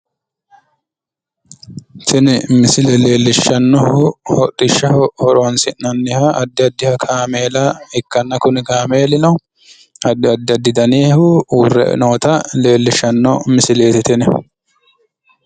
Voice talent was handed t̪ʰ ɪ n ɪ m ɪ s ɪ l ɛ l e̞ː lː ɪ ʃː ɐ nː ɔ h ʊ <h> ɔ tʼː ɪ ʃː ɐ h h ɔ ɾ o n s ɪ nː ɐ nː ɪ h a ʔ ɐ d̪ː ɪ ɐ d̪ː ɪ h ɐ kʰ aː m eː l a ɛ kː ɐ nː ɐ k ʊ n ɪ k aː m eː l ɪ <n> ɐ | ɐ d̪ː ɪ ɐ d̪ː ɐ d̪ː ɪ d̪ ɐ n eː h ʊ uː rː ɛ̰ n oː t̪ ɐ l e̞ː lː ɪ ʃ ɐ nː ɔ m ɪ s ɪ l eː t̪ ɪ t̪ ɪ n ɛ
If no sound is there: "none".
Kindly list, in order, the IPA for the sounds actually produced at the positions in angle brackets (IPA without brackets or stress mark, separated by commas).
h, n